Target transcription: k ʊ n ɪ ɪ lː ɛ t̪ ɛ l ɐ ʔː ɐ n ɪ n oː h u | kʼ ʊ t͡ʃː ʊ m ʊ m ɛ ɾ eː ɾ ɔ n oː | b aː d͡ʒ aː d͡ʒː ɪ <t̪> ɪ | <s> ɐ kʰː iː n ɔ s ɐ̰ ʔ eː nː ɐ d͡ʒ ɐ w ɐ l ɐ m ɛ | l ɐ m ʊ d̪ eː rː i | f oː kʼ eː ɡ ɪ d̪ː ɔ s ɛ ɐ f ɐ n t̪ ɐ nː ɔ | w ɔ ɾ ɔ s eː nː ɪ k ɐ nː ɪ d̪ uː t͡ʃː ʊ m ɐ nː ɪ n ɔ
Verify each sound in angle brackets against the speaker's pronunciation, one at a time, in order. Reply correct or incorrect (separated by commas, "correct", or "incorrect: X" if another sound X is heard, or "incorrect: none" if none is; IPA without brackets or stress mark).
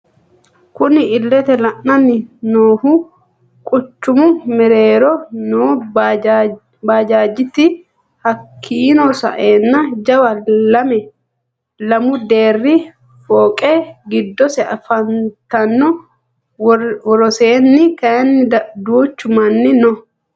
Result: correct, incorrect: h